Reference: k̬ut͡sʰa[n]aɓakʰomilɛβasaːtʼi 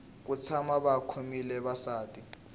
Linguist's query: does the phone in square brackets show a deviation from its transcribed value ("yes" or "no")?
yes